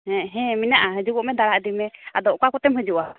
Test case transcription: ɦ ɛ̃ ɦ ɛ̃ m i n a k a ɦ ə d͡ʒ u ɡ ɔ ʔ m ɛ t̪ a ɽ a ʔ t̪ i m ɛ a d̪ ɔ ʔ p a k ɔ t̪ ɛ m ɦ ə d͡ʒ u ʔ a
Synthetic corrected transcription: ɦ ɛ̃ ɦ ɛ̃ m i n a ʔ a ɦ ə d͡ʒ u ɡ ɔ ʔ m ɛ d̪ a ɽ a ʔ d̪ i m ɛ a d̪ ɔ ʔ k a k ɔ t̪ ɛ m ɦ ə d͡ʒ u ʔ a